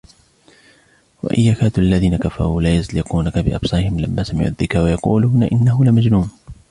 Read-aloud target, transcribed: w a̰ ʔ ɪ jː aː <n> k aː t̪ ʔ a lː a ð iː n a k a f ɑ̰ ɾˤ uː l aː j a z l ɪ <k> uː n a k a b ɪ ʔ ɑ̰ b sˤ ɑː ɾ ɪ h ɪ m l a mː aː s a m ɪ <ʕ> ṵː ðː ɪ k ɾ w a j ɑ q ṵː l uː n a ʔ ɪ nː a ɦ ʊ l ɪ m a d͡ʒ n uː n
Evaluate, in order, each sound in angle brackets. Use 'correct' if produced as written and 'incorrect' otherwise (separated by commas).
incorrect, incorrect, correct